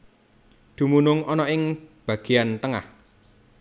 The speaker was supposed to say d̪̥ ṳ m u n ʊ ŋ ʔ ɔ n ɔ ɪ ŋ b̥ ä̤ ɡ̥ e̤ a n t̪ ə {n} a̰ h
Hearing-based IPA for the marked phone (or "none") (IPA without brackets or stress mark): ŋ